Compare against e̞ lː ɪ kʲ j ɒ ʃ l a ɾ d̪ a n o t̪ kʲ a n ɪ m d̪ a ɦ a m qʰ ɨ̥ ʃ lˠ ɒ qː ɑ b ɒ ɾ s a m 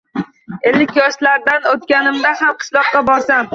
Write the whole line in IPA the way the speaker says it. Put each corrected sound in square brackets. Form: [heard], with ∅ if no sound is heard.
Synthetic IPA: e̞ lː ɪ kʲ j ɒ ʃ l a ɾ d̪ a n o t̪ kʲ a n ɪ m d̪ a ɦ a m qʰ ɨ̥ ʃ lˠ ɒ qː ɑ b ɒ ɾ s a m